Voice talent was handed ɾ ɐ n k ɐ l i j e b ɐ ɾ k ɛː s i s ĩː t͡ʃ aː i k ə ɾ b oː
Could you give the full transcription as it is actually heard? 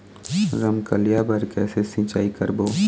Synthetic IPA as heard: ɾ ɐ m k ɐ l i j a b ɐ ɾ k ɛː s e s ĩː t͡ʃ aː i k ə ɾ b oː

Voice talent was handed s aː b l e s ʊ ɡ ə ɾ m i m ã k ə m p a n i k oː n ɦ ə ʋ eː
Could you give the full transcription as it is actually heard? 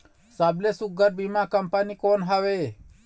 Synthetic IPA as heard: s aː b l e s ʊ ɡ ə ɾ b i m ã k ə m p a n i k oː n ɦ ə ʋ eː

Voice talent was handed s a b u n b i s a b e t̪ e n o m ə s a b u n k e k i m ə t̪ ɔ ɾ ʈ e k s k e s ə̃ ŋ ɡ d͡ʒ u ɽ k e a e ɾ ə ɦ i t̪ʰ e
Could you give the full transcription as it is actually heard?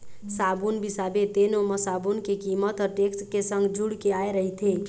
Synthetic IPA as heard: s a b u n b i s a b e t̪ e n o m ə s a b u n k e k i m ə t̪ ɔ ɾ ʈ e k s k e s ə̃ ŋ ɡ d͡ʒ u ɽ k e a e ɾ ə ɦ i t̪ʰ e

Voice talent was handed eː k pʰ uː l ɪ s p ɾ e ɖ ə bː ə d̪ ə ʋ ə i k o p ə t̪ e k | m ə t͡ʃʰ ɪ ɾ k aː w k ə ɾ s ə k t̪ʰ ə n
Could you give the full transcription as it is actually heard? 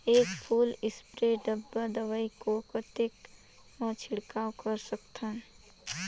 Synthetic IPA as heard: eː k pʰ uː l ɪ s p ɾ e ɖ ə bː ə d̪ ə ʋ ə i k o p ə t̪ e k | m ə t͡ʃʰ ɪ ɽ k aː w k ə ɾ s ə k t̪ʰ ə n

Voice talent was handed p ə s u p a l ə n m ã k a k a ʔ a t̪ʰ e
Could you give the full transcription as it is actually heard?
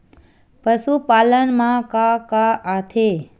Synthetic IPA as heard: p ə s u p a l ə n m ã k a k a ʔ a t̪ʰ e

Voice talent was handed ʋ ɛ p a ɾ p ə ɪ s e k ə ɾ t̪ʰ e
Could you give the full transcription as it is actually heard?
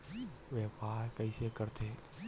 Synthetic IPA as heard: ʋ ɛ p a ɾ k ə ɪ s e k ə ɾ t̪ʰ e

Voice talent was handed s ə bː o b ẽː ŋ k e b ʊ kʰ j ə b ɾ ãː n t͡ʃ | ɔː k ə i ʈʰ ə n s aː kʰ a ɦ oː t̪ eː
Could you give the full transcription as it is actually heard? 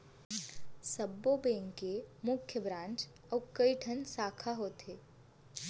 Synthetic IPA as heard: s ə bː o b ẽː ŋ k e m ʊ kʰ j ə b ɾ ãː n t͡ʃ | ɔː k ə i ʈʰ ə n s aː kʰ a ɦ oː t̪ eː

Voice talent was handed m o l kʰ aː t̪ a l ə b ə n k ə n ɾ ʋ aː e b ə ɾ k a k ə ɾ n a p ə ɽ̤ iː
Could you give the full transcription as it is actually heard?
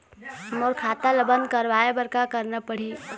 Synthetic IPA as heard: m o ɾ kʰ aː t̪ a l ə b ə n k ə ɾ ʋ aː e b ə ɾ k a k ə ɾ n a p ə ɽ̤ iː

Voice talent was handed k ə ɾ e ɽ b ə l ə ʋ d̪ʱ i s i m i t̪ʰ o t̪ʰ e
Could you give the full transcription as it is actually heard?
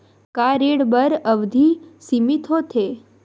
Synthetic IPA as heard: k a ɾ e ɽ b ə ɾ ə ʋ d̪ʱ i s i m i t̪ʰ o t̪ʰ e

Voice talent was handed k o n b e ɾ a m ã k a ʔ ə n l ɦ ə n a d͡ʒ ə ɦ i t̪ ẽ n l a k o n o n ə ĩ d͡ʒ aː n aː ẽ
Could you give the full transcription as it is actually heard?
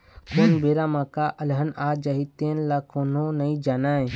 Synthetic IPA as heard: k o n b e ɾ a m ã k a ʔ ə l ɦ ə n a d͡ʒ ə ɦ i t̪ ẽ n l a k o n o n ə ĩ d͡ʒ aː n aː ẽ

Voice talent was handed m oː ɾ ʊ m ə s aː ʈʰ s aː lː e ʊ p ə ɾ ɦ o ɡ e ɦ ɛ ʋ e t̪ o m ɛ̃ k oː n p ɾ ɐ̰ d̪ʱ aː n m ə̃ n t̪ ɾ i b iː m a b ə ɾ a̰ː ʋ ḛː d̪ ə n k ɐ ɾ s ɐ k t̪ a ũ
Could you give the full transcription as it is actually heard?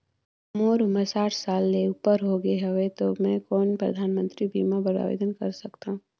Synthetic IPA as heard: m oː ɾ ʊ m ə s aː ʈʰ s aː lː e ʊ p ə ɾ ɦ o ɡ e ɦ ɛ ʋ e t̪ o m ɛ̃ k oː n p ɾ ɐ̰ d̪ʱ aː n m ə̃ n t̪ ɾ i b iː m a b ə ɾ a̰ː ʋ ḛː d̪ ə n k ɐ ɾ s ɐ k t̪ a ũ

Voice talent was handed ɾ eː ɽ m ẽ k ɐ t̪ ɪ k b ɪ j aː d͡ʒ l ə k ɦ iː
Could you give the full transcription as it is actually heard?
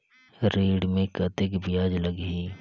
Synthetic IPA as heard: ɾ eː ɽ m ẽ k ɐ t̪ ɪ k b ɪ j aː d͡ʒ l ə ɡ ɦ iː

